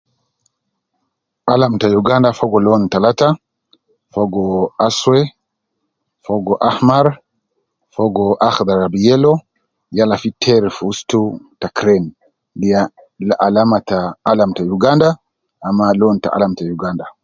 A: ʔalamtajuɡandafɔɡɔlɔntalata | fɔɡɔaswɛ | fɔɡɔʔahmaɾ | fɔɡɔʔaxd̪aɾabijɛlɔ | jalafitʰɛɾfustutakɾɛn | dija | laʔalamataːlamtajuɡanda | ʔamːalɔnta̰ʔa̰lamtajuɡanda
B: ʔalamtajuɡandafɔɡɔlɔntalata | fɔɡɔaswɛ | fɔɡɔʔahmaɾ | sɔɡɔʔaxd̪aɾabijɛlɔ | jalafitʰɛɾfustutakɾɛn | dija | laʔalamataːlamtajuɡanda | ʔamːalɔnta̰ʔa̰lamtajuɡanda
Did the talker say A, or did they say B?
A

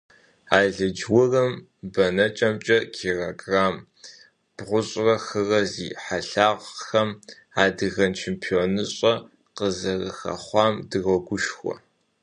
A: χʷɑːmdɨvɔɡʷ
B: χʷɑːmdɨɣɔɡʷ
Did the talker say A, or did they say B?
B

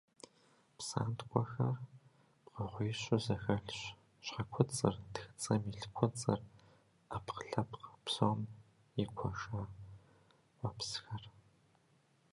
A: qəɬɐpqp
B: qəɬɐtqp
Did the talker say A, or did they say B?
A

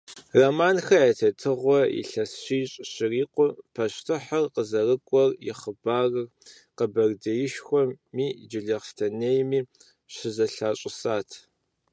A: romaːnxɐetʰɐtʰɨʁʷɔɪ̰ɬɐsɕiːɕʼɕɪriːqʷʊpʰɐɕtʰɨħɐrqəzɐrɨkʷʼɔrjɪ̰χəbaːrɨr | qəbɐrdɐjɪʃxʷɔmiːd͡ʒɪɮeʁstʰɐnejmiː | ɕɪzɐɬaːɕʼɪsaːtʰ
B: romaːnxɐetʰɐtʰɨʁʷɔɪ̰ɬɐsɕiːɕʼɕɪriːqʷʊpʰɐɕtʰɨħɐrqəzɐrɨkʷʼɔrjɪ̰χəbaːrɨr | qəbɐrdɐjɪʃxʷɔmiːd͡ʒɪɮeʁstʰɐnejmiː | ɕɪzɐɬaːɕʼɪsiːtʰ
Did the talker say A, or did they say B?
A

